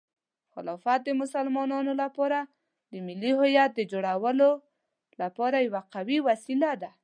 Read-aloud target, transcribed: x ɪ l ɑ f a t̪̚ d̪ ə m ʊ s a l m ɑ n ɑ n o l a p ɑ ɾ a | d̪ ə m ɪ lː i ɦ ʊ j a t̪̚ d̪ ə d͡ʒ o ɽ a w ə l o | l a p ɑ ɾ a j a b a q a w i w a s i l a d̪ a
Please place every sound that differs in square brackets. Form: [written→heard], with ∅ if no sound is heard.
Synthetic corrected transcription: x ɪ l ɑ f a t̪̚ d̪ ə m ʊ s a l m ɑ n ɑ n o l a p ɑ ɾ a | d̪ ə m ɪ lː i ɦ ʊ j a t̪̚ d̪ ə d͡ʒ o ɽ a w ə l o | l a p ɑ ɾ a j a [b→w] a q a w i w a s i l a d̪ a